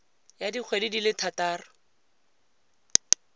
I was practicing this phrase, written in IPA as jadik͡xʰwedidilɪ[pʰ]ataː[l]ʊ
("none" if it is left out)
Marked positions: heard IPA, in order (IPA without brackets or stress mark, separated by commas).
tʰ, r